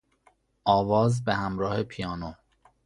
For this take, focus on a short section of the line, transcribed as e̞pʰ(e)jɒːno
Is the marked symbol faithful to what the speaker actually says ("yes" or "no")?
no